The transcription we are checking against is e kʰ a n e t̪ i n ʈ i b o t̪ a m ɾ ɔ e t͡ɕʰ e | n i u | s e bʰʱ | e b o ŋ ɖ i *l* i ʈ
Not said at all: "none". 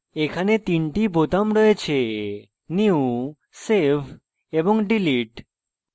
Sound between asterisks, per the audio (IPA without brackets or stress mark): l